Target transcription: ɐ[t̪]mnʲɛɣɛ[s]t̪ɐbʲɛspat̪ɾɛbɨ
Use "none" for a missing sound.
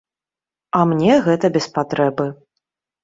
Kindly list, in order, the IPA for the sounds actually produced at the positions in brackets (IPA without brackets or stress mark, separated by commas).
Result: none, none